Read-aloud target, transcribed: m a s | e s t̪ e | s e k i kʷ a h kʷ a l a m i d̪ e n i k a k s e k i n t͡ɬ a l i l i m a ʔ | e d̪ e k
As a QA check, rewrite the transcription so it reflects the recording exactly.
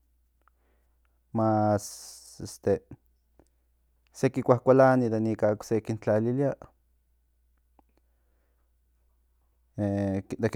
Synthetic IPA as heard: m a s | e s t̪ e | s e k i kʷ a h kʷ a l a n i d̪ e n i k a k s e k i n t͡ɬ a l i l i a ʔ | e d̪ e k